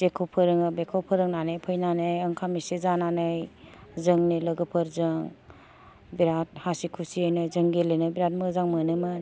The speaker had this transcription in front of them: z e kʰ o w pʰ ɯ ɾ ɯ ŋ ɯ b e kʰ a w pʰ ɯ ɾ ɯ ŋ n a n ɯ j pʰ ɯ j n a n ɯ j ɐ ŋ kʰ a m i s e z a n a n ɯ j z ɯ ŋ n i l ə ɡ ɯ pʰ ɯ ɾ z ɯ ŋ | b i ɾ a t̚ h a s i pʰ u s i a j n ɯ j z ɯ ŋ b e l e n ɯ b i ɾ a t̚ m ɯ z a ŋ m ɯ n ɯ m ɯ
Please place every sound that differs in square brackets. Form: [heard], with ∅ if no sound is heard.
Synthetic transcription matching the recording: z e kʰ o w pʰ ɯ ɾ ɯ ŋ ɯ b e kʰ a w pʰ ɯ ɾ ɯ ŋ n a n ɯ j pʰ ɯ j n a n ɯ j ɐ ŋ kʰ a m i s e z a n a n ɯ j z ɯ ŋ n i l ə ɡ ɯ pʰ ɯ ɾ z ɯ ŋ | b i ɾ a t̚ h a s i [kʰ] u s i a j n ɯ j z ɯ ŋ [ɡ] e l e n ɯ b i ɾ a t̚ m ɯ z a ŋ m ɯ n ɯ m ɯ